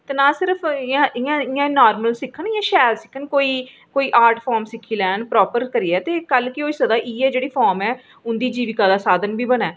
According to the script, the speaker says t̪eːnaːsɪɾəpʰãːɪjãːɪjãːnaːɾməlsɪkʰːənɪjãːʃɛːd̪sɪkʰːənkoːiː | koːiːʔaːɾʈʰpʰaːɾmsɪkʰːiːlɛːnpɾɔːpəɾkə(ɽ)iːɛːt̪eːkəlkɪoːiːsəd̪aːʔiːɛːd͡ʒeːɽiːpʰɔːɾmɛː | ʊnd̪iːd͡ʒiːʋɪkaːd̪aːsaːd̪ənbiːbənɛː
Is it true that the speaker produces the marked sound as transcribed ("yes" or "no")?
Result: no